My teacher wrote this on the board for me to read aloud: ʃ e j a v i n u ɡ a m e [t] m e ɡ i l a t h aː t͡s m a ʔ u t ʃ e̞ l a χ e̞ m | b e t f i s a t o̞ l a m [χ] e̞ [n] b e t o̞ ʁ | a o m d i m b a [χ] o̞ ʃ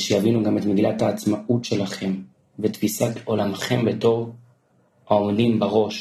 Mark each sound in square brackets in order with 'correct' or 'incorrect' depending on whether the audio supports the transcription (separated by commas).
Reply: correct, correct, incorrect, incorrect